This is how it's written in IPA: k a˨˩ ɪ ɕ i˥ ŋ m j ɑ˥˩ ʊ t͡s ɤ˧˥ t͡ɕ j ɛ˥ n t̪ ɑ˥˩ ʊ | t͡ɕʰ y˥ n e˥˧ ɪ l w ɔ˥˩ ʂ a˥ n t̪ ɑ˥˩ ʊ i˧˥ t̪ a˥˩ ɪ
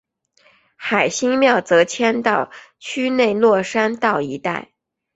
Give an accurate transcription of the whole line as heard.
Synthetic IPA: x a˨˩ ɪ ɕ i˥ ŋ m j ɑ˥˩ ʊ t͡s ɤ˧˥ t͡ɕʰ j ɛ˥ n t̪ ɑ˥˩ ʊ | t͡ɕʰ y˥ n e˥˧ ɪ l w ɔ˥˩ ʂ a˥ n t̪ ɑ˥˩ ʊ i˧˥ t̪ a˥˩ ɪ